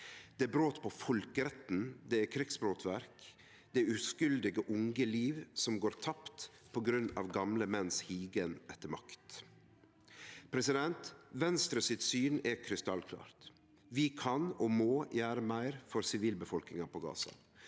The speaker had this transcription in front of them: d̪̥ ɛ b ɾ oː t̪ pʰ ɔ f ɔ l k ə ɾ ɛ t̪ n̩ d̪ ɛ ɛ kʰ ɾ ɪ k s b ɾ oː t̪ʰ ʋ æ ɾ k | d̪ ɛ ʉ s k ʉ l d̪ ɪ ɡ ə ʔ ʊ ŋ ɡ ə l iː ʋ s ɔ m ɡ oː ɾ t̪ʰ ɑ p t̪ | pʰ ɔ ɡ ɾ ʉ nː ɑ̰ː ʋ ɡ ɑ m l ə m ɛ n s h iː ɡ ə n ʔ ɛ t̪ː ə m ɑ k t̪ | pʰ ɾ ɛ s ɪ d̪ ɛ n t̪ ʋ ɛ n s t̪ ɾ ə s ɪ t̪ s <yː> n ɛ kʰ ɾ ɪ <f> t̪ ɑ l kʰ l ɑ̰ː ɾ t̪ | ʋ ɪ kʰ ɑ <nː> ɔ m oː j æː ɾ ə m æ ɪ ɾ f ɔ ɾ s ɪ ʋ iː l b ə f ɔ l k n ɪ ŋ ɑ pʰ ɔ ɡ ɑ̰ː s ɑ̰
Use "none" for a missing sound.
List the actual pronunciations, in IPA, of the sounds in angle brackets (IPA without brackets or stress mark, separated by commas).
yː, s, n